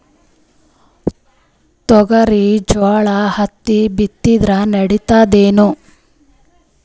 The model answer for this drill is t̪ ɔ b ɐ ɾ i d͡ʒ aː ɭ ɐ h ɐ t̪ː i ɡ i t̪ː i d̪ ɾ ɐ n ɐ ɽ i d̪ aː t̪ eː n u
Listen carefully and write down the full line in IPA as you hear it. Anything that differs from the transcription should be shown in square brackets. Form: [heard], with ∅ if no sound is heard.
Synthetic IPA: t̪ ɔ [ɡ] ɐ ɾ i d͡ʒ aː ɭ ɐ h ɐ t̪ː i [b] i t̪ː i d̪ ɾ ɐ n ɐ ɽ i [t̪] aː [d̪] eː n u